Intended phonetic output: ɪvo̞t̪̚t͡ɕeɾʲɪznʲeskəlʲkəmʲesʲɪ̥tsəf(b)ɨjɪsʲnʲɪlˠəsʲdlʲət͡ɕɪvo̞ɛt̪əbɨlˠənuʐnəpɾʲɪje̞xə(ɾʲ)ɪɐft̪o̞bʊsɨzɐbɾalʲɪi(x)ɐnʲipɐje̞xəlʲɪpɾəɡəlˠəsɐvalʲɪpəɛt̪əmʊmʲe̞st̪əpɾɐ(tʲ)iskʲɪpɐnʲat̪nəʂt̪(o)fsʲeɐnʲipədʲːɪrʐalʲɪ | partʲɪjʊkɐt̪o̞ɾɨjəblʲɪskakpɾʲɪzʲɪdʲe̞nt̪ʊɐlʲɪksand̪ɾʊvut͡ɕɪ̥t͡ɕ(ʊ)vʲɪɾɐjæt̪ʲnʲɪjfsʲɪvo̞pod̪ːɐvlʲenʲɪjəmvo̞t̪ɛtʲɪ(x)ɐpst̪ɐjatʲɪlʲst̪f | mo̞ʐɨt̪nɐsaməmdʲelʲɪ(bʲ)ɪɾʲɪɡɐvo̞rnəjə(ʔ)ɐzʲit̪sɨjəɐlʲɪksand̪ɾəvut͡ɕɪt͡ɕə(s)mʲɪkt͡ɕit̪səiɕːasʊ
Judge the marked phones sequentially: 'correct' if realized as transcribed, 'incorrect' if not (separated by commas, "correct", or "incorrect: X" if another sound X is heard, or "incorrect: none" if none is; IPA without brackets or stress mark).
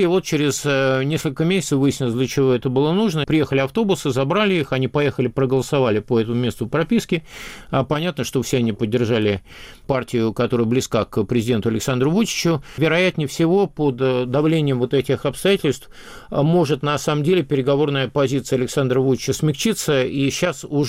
incorrect: v, incorrect: lʲ, correct, incorrect: pʲ, correct, correct, correct, incorrect: pʲ, incorrect: p, correct